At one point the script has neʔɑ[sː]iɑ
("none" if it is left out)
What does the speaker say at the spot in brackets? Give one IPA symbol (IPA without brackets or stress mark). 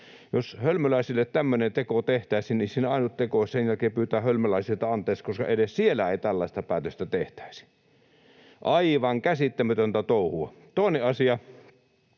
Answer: s